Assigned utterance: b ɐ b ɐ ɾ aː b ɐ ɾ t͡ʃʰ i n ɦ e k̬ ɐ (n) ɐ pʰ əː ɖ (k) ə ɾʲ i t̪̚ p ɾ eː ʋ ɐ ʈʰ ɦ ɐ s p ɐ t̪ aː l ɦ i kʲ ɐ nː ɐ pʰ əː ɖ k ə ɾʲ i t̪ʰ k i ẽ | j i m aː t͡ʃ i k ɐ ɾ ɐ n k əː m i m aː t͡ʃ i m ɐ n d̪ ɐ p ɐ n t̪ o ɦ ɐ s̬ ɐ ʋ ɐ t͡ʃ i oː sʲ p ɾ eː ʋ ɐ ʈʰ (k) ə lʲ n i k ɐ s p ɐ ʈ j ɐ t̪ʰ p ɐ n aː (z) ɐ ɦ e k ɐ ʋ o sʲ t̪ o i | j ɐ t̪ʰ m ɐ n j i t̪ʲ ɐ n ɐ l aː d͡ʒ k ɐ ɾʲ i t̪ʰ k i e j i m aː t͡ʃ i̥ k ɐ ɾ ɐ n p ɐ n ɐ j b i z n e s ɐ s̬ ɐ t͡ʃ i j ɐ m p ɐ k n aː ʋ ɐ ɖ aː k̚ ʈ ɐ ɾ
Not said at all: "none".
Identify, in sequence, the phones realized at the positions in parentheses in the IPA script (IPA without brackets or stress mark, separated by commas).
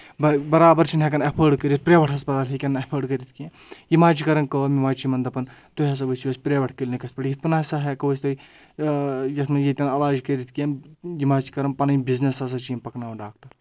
n, k, k, s